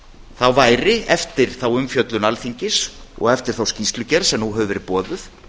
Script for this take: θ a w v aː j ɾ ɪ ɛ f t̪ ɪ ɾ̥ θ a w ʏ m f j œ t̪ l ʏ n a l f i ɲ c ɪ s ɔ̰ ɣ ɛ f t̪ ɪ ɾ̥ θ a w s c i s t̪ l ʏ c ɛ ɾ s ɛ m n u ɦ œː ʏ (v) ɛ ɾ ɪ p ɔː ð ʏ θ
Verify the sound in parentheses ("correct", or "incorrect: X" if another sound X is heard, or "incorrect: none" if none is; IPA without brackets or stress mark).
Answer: correct